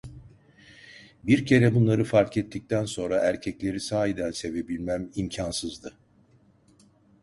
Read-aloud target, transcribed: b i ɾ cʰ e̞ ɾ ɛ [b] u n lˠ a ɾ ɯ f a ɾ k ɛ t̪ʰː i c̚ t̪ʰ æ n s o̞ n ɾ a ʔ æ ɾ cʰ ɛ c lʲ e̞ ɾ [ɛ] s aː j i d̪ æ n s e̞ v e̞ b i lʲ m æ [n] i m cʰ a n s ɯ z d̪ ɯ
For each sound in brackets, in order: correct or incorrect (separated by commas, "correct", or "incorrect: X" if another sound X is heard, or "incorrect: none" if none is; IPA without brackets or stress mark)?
correct, incorrect: i, incorrect: m